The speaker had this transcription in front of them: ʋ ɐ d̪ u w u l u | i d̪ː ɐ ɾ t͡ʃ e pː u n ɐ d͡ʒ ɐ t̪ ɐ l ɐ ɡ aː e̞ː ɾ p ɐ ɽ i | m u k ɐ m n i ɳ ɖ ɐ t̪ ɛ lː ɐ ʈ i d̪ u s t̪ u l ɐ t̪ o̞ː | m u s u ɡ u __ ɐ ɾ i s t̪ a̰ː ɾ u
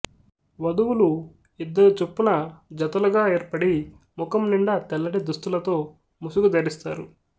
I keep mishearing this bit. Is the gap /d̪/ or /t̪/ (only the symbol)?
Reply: d̪